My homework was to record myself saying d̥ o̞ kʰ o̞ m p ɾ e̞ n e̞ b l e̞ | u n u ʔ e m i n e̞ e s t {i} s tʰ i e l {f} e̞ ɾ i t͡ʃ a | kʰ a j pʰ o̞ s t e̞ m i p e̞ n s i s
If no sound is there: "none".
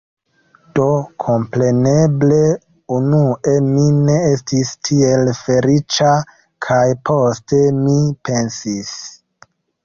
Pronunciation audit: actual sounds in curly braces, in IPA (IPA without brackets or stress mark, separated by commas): i, f